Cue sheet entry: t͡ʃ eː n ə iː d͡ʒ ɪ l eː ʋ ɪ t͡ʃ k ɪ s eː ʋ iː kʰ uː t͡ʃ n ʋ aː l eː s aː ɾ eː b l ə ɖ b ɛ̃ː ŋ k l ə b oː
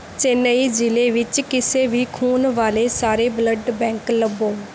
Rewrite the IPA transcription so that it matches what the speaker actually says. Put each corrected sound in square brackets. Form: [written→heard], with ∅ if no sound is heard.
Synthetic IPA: t͡ʃ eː n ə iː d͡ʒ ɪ l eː ʋ ɪ t͡ʃ k ɪ s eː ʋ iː kʰ uː [t͡ʃ→∅] n ʋ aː l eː s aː ɾ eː b l ə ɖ b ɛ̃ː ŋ k l ə b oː